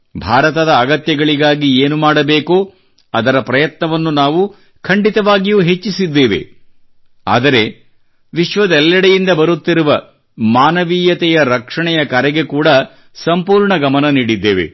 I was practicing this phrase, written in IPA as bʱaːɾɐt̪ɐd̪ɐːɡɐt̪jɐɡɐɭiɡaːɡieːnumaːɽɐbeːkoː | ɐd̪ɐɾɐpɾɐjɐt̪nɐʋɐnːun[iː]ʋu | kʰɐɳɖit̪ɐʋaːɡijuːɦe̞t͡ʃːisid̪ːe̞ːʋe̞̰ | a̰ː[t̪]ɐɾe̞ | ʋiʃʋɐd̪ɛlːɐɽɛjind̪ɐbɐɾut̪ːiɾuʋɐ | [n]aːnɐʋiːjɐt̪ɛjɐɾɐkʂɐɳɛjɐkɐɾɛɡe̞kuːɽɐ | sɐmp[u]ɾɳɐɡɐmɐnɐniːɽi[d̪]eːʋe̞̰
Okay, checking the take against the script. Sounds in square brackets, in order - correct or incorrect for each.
incorrect: aː, incorrect: d̪, incorrect: m, incorrect: uː, incorrect: d̪ː

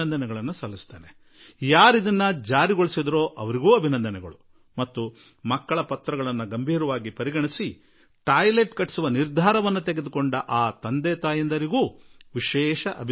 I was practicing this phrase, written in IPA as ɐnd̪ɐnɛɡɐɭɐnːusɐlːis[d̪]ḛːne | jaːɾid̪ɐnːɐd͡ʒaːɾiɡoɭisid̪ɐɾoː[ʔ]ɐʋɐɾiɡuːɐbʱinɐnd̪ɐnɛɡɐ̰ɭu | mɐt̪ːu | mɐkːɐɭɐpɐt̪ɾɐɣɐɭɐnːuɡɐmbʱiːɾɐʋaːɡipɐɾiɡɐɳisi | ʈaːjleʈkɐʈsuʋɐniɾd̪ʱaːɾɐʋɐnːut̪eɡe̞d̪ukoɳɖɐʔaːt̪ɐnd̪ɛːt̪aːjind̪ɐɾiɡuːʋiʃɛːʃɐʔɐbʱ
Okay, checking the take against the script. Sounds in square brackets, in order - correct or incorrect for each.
incorrect: t̪, correct

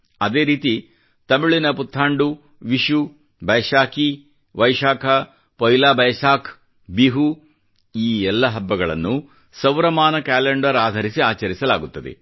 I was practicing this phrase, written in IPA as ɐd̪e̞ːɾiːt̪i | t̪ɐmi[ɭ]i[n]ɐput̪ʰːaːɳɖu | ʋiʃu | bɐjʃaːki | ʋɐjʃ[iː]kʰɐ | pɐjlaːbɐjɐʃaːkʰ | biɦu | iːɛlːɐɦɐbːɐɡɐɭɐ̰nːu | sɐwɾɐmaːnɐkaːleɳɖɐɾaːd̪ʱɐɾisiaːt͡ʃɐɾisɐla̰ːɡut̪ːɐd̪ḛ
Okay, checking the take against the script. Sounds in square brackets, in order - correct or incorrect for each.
correct, correct, incorrect: aː

